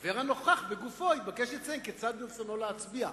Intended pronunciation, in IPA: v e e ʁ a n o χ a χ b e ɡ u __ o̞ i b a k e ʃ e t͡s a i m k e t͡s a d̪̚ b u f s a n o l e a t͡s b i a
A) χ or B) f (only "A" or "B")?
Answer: B